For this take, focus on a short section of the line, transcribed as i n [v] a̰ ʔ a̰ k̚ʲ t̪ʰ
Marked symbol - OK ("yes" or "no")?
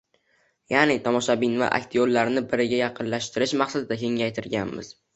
yes